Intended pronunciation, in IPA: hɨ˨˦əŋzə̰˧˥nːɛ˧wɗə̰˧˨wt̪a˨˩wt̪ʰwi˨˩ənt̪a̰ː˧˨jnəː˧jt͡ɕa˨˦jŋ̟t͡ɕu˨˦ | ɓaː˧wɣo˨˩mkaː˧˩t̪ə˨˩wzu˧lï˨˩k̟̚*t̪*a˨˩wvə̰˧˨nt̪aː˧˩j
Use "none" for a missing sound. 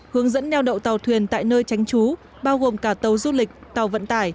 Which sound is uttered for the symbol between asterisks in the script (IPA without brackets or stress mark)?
t̪